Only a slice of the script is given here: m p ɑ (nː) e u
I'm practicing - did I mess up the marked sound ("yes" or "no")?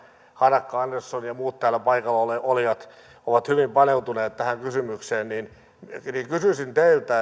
yes